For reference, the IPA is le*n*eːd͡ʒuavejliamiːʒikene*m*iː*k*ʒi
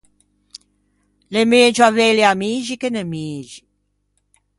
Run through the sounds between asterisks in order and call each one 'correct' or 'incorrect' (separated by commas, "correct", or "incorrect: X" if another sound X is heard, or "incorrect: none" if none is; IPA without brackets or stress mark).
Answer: incorrect: m, correct, incorrect: none